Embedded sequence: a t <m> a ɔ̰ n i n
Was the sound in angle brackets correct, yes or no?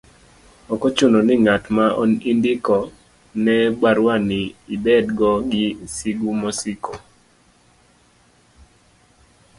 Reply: yes